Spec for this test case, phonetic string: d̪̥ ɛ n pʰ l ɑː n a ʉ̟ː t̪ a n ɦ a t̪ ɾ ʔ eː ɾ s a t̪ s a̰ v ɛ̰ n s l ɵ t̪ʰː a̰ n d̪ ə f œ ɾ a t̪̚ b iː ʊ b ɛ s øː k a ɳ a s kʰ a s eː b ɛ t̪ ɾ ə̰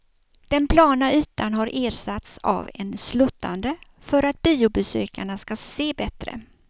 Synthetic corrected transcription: d̪̥ ɛ n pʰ l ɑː n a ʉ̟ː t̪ a n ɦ a ɾ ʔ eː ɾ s a t̪ s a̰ v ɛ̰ n s l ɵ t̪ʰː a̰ n d̪ ə f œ ɾ a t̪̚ b iː ʊ b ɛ s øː k a ɳ a s k a s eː b ɛ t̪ ɾ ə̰